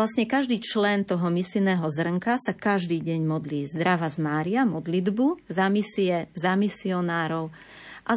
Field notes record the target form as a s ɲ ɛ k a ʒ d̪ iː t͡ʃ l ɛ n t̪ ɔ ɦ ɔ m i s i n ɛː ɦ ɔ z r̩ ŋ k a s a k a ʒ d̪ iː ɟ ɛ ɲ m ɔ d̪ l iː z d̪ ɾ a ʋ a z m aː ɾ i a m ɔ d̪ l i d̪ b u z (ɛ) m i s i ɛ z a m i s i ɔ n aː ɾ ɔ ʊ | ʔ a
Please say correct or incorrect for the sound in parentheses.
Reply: incorrect